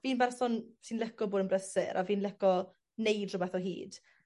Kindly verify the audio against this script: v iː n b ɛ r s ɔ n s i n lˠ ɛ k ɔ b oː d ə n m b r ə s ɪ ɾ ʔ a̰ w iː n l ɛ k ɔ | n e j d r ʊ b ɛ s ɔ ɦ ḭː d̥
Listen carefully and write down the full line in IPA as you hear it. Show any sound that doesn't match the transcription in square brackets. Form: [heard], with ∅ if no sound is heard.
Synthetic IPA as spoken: v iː n b ɛ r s ɔ n s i n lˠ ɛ k ɔ b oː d ə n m b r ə s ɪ ɾ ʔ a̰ [v] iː n l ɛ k ɔ | n e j d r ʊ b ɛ [θ] ɔ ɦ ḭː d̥